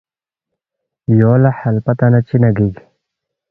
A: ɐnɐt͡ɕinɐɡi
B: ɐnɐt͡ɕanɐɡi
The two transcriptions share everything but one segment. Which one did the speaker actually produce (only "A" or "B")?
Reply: A